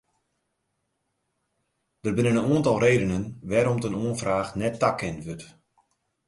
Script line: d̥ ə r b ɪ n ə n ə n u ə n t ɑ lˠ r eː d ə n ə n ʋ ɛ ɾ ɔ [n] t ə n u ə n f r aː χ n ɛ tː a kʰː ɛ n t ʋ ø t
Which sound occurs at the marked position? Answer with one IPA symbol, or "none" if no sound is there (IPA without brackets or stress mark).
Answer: m